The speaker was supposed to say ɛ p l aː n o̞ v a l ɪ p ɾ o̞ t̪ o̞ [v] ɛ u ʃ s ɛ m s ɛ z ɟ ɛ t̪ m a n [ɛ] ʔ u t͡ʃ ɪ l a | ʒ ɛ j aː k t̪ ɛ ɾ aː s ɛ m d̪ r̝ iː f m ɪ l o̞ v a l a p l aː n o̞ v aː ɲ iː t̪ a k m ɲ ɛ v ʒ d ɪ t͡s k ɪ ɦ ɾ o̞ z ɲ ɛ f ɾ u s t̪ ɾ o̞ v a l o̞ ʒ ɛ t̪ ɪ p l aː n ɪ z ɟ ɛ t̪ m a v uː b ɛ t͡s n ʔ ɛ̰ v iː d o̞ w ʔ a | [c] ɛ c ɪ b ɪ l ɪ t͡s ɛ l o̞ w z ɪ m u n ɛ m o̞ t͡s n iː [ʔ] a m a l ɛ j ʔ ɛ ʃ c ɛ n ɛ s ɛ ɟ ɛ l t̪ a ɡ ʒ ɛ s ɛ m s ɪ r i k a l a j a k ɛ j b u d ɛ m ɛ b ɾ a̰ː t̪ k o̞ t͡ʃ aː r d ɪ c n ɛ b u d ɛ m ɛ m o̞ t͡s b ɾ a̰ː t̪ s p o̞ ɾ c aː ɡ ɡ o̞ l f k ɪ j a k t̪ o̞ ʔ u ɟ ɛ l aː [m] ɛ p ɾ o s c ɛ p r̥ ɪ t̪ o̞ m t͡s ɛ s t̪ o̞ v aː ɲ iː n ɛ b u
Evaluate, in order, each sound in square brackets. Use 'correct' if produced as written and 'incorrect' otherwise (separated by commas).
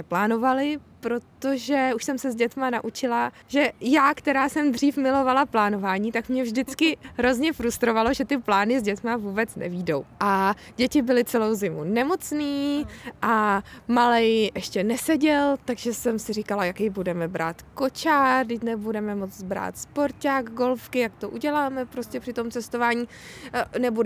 incorrect, incorrect, incorrect, correct, correct